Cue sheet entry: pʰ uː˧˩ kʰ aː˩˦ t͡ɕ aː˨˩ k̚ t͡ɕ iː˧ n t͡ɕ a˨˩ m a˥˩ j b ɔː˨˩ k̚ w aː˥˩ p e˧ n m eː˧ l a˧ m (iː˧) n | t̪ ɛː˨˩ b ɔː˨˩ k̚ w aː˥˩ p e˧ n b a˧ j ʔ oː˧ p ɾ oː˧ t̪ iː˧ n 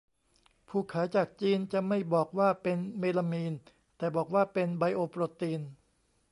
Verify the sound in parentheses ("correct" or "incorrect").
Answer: correct